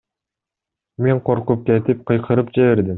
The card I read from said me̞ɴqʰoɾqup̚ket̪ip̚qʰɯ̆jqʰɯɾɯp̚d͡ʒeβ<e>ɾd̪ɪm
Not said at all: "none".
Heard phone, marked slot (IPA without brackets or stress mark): e